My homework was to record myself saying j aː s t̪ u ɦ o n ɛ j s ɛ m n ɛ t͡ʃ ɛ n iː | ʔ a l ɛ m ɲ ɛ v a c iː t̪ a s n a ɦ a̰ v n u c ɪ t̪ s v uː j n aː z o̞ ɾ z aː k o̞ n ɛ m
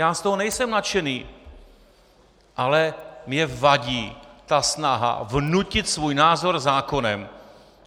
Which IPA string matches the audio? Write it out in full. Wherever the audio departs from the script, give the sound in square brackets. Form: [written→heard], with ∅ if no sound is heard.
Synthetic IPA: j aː s t̪ [u→o] ɦ o n ɛ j s ɛ m n [ɛ→a] t͡ʃ ɛ n iː | ʔ a l ɛ m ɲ ɛ v a [c→ɟ] iː t̪ a s n a ɦ a̰ v n u c ɪ t̪ s v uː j n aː z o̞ ɾ z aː k o̞ n ɛ m